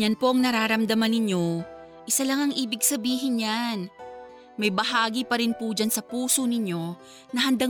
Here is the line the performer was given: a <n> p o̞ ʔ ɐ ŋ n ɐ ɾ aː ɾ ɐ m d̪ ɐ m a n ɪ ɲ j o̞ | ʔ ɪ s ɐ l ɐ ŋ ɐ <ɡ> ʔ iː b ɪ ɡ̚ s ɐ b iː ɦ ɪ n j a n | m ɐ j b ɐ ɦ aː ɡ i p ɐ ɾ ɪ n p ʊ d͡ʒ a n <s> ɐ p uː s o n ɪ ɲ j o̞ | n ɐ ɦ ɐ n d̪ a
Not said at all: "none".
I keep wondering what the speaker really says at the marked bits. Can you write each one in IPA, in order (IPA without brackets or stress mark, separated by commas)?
n, ŋ, s